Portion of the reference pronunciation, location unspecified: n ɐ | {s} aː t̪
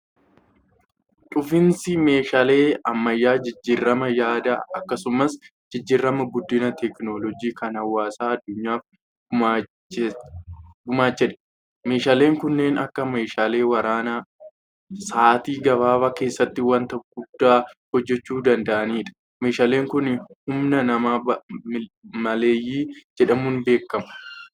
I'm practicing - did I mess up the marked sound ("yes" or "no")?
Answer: no